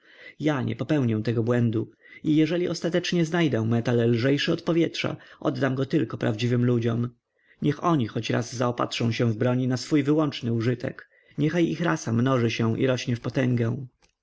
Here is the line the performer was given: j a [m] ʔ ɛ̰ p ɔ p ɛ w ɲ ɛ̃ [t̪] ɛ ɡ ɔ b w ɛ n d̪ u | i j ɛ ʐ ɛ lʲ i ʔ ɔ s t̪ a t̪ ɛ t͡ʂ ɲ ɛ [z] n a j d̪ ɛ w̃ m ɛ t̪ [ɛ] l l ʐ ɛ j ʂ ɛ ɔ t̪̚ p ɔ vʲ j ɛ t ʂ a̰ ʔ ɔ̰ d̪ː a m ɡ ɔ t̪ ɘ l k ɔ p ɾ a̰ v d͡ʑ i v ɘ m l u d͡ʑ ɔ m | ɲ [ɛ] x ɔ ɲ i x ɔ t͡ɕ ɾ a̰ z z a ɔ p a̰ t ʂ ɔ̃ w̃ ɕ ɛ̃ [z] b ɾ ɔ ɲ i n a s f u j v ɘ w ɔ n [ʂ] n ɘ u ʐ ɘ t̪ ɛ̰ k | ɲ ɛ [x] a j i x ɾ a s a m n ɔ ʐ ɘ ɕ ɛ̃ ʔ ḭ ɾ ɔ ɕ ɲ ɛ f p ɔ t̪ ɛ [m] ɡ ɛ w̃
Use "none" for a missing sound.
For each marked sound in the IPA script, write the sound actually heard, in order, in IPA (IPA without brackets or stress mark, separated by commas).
ɲ, t̪, z, a, ɛ, v, t͡ʂ, x, ŋ